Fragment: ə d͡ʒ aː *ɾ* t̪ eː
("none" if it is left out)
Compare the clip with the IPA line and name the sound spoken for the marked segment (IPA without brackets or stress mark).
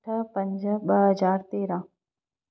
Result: ɾ